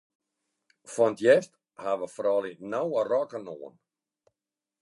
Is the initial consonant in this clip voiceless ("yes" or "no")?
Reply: yes